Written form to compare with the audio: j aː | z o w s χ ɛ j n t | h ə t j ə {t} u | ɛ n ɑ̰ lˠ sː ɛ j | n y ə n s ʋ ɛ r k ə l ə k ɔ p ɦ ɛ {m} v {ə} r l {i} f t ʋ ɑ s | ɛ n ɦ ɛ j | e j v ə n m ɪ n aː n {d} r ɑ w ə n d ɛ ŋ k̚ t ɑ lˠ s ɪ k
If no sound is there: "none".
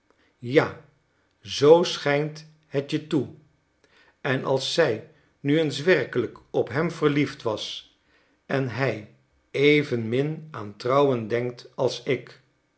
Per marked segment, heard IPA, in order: t, m, ə, i, t

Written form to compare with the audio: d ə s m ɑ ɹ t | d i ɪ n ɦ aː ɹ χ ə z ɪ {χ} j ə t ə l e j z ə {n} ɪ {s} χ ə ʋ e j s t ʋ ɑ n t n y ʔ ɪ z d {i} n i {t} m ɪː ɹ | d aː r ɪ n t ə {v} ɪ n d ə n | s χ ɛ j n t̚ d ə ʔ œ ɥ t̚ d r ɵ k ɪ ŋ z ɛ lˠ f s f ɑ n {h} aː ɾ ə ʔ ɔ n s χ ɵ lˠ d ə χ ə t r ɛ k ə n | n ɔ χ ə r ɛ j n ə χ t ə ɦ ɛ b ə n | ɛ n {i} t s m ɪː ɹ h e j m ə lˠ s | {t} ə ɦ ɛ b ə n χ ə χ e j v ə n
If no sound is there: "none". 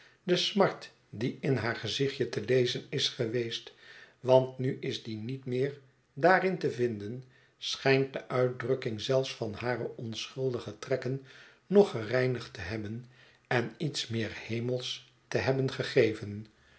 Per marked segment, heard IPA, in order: χ, n, s, i, t, v, h, i, t

